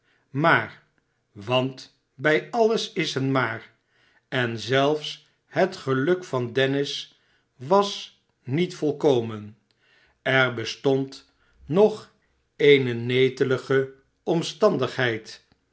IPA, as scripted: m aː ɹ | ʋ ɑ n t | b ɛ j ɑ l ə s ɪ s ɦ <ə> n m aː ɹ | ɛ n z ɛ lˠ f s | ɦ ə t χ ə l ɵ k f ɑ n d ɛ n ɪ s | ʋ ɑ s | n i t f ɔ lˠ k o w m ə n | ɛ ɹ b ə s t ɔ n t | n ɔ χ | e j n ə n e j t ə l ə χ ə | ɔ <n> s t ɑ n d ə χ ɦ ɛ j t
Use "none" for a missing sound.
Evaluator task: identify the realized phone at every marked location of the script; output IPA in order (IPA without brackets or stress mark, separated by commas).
ə, m